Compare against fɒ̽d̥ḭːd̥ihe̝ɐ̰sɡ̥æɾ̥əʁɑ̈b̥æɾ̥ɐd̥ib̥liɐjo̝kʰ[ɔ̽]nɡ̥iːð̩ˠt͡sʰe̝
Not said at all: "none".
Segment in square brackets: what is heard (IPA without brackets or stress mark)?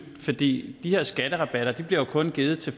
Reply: ɔ̽